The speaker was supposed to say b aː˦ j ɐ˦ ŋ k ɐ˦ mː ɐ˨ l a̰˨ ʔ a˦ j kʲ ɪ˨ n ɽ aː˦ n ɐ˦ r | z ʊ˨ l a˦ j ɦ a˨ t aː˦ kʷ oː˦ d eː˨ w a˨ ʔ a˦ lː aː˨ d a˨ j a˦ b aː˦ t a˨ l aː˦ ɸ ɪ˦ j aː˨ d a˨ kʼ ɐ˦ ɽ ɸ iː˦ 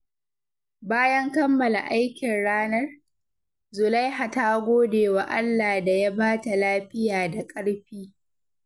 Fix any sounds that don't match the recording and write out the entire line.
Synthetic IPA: b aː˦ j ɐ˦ ŋ k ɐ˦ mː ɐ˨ l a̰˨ ʔ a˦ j kʲ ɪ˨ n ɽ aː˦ n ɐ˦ r | z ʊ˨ l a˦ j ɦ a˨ t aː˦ ɡʷ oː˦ d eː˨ w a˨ ʔ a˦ lː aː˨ d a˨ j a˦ b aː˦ t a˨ l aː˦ ɸ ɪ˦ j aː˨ d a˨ kʼ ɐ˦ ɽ ɸ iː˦

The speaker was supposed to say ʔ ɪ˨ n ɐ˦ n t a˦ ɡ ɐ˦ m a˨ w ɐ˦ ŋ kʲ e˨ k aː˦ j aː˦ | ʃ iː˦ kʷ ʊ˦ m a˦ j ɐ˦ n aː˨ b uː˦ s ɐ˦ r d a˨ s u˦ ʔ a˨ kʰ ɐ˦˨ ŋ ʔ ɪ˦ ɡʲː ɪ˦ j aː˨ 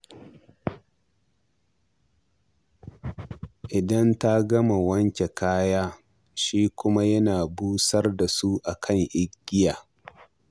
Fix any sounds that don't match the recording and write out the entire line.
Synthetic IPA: ʔ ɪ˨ d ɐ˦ n t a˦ ɡ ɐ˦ m a˨ w ɐ˦ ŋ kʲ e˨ k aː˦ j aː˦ | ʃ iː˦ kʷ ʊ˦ m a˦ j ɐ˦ n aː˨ b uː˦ s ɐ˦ r d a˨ s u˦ ʔ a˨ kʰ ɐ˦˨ ŋ ʔ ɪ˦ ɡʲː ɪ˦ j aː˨

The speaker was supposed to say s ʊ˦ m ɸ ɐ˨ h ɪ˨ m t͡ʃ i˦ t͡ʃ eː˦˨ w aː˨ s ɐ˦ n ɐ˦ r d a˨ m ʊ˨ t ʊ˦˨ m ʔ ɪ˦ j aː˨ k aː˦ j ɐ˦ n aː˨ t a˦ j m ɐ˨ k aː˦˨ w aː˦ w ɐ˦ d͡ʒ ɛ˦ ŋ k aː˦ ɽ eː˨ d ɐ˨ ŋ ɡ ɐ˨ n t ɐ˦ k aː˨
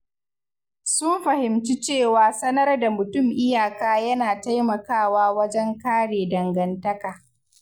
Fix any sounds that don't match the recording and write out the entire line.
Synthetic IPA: s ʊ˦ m ɸ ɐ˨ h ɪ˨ m t͡ʃ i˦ t͡ʃ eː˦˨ w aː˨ s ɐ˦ n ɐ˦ r d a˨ m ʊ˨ t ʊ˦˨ m ʔ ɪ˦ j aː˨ k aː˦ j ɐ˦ n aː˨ t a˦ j m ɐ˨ k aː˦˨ w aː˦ w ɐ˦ d͡ʒ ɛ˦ ŋ k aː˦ ɽ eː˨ d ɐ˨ ŋ ɡ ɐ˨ n t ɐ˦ k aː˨

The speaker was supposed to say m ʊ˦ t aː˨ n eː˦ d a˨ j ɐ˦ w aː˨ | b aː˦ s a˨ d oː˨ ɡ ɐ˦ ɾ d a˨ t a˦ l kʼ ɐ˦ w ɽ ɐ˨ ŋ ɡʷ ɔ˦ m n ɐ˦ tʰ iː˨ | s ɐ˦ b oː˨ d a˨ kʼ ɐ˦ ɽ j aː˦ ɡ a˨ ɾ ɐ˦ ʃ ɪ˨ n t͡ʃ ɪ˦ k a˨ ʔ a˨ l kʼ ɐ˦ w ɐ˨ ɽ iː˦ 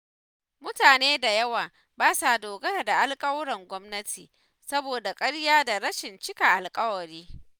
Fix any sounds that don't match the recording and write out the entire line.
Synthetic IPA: m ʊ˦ t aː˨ n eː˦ d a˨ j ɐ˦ w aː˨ | b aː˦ s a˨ d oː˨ ɡ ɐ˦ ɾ d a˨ ʔ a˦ l kʼ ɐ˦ w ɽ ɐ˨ ŋ ɡʷ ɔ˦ m n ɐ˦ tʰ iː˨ | s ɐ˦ b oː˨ d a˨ kʼ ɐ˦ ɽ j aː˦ d a˨ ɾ ɐ˦ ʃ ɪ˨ n t͡ʃ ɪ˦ k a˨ ʔ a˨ l kʼ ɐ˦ w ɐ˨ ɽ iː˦

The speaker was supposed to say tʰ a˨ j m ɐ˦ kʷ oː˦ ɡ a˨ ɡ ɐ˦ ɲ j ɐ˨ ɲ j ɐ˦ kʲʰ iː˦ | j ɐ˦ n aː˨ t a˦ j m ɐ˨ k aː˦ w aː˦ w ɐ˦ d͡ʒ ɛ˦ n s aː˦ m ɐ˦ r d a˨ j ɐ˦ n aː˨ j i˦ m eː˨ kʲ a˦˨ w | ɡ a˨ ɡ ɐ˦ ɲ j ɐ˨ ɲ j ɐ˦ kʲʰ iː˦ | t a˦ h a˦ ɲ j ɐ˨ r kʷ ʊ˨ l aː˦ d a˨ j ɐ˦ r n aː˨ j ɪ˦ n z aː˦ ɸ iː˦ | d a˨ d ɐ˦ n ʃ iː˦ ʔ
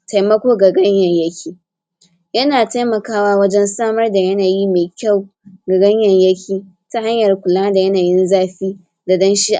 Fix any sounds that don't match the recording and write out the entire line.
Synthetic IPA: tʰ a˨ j m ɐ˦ kʷ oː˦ ɡ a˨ ɡ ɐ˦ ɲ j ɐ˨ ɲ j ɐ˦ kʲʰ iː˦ | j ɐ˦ n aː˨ t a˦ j m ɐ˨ k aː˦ w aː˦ w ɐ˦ d͡ʒ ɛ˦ n s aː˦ m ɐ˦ r d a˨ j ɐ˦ n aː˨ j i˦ m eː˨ kʲ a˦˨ w | ɡ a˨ ɡ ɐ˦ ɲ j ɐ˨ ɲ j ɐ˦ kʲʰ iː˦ | t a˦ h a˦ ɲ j ɐ˨ r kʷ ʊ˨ l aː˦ d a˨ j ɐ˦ n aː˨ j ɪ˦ n z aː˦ ɸ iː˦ | d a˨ d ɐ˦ n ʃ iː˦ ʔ

